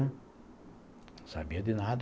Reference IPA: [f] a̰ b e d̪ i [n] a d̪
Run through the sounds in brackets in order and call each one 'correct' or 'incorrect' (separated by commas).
incorrect, correct